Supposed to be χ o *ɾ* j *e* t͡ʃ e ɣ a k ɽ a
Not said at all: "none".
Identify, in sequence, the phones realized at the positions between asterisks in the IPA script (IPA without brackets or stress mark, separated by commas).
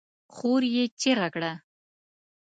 ɾ, e